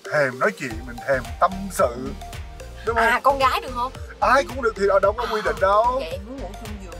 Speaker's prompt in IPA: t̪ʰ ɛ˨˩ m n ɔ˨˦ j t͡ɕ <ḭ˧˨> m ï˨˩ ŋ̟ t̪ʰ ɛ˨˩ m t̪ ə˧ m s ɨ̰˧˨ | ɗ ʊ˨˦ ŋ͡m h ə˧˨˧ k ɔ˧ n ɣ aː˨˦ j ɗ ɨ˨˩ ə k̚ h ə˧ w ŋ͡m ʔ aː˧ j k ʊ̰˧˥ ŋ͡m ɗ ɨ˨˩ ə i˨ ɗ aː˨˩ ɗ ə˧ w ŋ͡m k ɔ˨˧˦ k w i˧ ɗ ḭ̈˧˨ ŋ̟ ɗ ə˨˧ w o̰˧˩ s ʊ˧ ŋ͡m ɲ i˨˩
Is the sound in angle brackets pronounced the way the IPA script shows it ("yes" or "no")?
yes